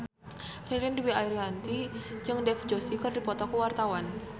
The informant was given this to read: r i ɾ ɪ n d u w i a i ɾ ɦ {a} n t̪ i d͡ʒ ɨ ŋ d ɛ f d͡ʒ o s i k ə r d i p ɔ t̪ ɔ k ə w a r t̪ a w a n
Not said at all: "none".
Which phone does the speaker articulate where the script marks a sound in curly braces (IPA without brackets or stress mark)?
a